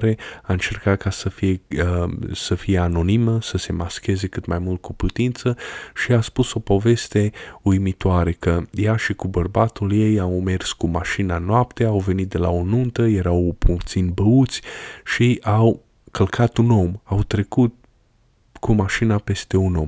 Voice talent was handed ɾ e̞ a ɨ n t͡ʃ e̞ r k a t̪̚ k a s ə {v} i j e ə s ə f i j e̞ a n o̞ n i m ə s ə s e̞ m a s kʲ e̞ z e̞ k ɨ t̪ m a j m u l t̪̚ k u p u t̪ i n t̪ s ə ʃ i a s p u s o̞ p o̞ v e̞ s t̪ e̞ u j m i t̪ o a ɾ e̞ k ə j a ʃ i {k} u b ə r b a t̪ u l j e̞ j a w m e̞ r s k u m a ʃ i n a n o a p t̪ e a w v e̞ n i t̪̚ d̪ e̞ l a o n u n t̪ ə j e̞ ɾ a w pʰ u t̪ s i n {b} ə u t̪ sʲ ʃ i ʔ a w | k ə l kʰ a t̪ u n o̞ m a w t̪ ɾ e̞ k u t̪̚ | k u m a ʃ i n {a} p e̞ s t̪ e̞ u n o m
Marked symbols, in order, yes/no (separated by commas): no, yes, yes, yes